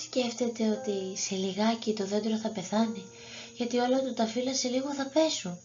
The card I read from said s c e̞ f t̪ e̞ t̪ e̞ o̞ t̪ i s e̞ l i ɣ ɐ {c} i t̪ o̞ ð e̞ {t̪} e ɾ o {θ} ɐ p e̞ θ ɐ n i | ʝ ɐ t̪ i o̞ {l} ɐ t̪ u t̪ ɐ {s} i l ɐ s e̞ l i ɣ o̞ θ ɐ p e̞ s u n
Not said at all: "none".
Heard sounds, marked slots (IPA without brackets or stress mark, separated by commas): c, d̪, θ, l, f